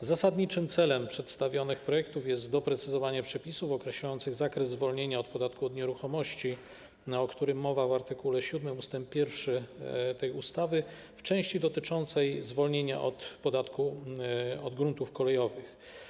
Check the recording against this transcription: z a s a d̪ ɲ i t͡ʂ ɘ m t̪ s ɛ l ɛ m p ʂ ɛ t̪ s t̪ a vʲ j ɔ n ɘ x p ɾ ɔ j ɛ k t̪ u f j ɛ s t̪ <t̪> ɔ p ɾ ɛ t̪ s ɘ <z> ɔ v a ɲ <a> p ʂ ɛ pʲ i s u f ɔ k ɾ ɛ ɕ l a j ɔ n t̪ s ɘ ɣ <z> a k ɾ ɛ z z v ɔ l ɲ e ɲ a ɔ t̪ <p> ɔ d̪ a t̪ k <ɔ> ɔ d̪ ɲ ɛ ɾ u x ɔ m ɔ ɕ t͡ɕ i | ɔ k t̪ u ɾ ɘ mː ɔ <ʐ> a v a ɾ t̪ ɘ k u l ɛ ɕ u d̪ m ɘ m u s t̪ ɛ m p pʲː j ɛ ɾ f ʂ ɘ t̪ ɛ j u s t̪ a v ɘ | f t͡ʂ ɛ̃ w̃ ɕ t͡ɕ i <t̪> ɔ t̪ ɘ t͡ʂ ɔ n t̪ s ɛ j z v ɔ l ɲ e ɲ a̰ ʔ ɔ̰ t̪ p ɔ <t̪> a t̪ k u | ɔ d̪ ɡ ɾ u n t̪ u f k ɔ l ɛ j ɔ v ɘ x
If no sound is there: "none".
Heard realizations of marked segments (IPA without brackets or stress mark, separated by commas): d̪, z, ɛ, z, p, u, v, d̪, d̪